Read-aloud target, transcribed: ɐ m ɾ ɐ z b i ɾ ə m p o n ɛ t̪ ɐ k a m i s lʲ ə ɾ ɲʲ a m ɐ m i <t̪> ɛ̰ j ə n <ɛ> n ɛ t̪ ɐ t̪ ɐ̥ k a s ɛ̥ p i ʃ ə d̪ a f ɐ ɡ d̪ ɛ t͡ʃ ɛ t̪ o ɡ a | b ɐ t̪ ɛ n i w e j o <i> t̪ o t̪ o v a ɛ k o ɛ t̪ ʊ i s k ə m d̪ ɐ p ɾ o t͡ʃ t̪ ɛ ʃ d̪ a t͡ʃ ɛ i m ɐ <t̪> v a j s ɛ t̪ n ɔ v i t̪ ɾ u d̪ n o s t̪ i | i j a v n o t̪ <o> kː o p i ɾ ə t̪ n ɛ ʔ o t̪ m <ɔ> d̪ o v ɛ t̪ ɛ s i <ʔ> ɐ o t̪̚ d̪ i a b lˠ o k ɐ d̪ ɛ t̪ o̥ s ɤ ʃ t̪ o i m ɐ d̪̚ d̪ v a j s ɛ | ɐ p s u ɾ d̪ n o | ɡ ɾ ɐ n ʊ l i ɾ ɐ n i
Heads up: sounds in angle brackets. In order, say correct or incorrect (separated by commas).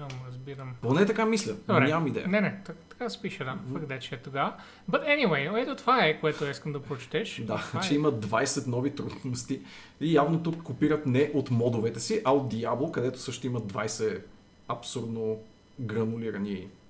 incorrect, correct, incorrect, incorrect, incorrect, correct, correct